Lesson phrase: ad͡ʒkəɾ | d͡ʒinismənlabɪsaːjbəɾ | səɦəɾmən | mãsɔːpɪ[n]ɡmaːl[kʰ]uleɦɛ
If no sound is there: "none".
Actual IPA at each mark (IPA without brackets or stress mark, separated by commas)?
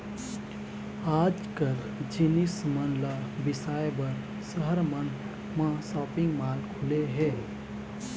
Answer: ŋ, kʰ